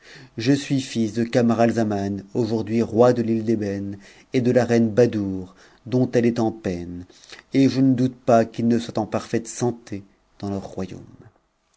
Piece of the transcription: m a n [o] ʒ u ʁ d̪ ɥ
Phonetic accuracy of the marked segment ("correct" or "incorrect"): correct